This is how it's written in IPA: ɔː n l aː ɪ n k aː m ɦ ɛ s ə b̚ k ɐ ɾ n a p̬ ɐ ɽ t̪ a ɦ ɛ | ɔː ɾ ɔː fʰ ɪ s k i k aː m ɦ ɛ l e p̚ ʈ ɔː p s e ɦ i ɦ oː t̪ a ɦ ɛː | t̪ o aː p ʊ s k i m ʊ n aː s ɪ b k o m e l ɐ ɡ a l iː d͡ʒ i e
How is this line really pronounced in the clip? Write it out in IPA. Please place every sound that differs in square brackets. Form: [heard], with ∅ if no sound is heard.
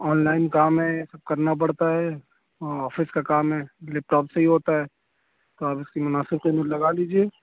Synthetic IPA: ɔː n l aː ɪ n k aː m ɦ ɛ s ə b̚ k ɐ ɾ n a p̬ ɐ ɽ t̪ a ɦ ɛ | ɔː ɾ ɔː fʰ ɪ s k [a] k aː m ɦ ɛ l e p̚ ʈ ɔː p s e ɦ i ɦ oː t̪ a ɦ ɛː | t̪ o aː p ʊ s k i m ʊ n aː s ɪ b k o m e l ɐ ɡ a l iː d͡ʒ i e